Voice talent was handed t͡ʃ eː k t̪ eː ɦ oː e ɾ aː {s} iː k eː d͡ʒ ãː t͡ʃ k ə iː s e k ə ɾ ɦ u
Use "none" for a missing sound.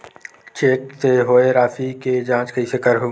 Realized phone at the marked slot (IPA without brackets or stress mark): f